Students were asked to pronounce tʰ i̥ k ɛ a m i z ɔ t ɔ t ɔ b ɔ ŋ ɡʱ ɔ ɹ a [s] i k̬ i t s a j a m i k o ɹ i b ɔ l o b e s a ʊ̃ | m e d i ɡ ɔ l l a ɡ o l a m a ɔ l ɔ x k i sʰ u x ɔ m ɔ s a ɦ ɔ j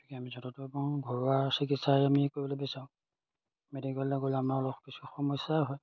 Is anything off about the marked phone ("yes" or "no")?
no